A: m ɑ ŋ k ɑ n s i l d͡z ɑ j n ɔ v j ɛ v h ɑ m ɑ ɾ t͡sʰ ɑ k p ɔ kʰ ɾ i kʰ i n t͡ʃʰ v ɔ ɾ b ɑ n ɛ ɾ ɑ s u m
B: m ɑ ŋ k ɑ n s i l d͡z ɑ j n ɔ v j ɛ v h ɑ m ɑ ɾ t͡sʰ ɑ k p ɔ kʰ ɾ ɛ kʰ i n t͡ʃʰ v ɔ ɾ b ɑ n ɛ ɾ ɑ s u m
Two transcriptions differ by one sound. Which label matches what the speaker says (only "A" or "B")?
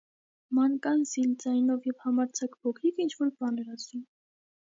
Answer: A